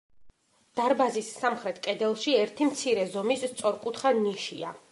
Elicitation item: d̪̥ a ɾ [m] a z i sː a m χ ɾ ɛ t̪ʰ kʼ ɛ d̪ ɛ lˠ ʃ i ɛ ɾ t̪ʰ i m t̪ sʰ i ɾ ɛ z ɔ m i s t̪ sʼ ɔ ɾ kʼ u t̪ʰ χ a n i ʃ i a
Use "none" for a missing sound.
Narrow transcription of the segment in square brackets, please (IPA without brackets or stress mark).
b